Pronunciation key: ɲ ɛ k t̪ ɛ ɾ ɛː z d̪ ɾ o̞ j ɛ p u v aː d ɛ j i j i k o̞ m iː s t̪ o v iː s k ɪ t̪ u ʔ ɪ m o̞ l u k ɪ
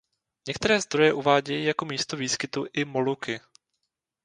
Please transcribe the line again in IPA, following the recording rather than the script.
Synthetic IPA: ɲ ɛ k t̪ ɛ ɾ ɛː z d̪ ɾ o̞ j ɛ ʔ u v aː ɟ ɛ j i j a k o̞ m iː s t̪ o v iː s k ɪ t̪ u ʔ ɪ m o̞ l u k ɪ